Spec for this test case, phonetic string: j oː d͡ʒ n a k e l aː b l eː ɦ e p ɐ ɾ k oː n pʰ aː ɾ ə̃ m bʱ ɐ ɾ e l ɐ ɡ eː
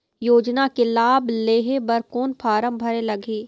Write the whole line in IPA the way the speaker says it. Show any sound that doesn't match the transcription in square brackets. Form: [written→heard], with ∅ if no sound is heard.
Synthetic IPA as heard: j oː d͡ʒ n a k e l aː b l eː ɦ e [p→b] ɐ ɾ k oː n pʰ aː ɾ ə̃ m bʱ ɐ ɾ e l ɐ ɡ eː